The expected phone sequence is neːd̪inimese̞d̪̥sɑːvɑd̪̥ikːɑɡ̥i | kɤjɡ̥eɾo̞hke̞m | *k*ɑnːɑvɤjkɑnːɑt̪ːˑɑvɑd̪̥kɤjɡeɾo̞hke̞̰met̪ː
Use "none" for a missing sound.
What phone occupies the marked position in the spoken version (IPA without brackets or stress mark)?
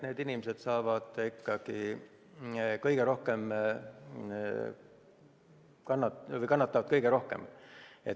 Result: k